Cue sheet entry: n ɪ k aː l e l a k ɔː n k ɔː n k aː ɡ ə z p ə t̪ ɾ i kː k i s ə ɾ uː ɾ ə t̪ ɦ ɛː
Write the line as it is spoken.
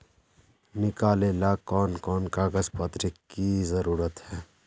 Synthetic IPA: n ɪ k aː l e l a k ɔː n k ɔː n k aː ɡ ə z p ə t̪ ɾ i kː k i z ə ɾ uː ɾ ə t̪ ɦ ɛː